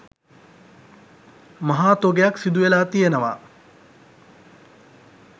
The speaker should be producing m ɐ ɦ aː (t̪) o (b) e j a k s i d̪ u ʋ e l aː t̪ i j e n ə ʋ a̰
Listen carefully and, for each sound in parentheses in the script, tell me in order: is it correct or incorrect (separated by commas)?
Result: correct, incorrect